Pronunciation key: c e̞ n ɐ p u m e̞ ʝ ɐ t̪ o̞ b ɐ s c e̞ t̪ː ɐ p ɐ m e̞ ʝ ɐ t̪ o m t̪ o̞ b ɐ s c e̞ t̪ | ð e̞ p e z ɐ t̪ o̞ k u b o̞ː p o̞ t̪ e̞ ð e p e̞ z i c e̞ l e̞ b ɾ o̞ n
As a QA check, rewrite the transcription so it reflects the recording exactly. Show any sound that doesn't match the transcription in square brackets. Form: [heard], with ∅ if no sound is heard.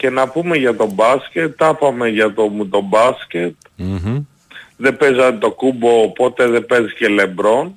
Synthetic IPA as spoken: c e̞ n ɐ p u m e̞ ʝ ɐ t̪ o̞ b ɐ s c e̞ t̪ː ɐ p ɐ m e̞ ʝ ɐ t̪ o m t̪ o̞ b ɐ s c e̞ t̪ | ð e̞ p e z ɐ t̪ o̞ k u b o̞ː p o̞ t̪ e̞ ð e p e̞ z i c e̞ l e̞ b ɾ o̞ n